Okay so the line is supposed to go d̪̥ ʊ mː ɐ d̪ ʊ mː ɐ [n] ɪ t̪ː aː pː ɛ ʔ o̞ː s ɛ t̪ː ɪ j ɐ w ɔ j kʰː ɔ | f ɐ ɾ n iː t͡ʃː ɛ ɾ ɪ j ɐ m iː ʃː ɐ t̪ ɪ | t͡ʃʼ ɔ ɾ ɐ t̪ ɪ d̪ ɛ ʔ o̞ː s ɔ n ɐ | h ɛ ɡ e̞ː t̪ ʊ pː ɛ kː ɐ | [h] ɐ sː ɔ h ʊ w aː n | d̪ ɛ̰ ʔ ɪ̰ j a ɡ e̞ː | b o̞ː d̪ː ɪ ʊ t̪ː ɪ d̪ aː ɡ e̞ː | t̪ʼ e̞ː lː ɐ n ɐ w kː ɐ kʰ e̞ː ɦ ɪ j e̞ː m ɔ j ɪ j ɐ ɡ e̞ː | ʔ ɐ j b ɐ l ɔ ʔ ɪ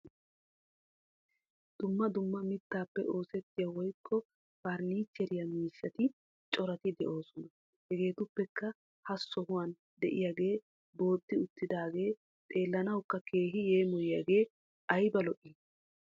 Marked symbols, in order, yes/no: no, yes

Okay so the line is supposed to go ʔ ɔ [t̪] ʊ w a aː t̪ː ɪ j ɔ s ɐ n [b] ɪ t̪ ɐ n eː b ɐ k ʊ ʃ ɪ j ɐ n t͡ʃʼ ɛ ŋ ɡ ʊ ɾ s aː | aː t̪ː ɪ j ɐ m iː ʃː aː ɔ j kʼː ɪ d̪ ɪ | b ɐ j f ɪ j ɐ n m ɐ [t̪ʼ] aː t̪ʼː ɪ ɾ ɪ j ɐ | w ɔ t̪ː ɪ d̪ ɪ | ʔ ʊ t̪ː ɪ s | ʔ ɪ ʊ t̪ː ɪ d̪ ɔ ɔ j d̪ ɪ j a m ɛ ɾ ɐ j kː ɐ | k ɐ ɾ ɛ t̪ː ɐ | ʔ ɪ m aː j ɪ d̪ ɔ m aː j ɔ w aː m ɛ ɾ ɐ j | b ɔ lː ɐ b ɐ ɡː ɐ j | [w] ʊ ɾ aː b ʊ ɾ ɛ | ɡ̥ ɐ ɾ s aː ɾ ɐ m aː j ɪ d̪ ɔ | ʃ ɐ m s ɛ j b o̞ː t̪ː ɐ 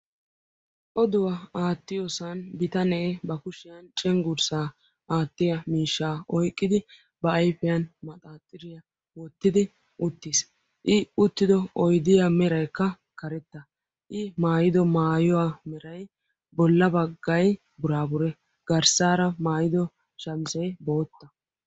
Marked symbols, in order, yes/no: no, yes, yes, no

